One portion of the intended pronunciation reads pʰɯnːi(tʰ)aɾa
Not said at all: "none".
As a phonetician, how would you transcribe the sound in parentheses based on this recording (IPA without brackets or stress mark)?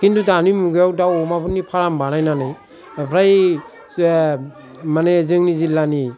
pʰ